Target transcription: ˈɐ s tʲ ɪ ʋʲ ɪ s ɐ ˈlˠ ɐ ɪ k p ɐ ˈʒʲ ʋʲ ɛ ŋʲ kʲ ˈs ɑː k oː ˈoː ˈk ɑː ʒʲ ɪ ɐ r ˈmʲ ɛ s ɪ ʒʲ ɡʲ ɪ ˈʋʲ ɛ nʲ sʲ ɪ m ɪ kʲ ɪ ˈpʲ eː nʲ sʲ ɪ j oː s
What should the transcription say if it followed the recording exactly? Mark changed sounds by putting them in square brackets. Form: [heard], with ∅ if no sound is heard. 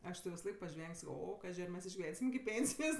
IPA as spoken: ˈɐ [ʃ] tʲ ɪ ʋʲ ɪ s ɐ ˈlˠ ɐ ɪ k p ɐ ˈʒʲ ʋʲ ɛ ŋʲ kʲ ˈs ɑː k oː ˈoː ˈk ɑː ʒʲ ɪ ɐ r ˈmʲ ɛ s ɪ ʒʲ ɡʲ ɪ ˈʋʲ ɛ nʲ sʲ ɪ m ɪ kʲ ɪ ˈpʲ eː nʲ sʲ ɪ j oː s